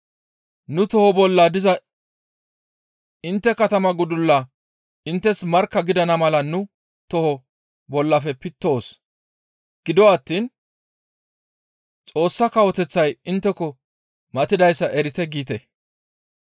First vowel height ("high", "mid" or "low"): high